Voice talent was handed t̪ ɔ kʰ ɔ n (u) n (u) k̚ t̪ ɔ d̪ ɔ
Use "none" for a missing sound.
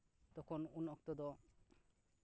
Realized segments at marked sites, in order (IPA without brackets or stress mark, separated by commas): u, ɔ